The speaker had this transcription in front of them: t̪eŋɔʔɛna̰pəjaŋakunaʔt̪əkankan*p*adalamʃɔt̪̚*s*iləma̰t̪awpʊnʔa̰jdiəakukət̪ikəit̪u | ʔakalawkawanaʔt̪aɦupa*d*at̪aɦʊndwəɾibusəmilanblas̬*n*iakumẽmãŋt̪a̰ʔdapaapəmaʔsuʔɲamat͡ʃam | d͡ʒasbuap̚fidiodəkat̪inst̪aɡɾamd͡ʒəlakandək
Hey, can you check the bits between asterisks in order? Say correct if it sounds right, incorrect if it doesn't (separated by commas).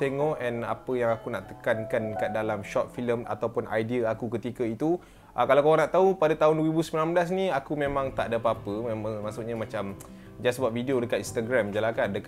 incorrect, incorrect, correct, correct